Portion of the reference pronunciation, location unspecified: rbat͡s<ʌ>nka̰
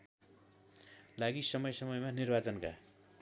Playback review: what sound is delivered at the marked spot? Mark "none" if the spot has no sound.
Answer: ʌ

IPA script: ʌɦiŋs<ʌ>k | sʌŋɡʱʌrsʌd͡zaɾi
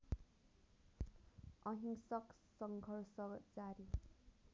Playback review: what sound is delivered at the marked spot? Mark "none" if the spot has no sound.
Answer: ʌ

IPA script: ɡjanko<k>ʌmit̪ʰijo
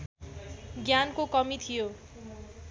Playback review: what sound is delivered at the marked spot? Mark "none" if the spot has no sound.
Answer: k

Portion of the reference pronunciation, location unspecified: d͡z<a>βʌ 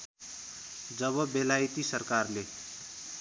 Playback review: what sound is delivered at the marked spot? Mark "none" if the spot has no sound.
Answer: ʌ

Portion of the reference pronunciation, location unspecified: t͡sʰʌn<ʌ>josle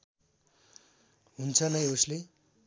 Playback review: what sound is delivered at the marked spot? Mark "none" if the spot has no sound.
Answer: ʌ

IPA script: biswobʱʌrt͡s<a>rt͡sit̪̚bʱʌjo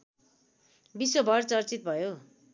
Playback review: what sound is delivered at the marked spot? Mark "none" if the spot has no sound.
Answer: ʌ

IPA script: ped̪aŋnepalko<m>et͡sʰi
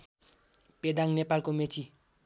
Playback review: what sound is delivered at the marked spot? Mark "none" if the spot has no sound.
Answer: m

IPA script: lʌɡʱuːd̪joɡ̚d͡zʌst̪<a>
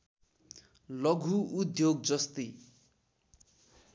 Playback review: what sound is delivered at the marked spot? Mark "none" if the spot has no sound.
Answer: i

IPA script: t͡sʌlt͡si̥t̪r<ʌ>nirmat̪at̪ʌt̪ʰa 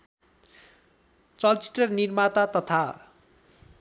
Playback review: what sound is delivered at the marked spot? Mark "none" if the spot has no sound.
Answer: ʌ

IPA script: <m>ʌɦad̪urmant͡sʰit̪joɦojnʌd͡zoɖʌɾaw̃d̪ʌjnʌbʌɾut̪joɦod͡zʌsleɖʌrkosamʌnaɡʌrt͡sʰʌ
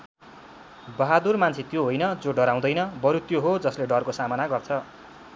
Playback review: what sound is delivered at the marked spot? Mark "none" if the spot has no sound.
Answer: b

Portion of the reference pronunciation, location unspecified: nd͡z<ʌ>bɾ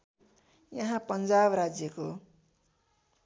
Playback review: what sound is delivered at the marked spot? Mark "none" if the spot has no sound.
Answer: a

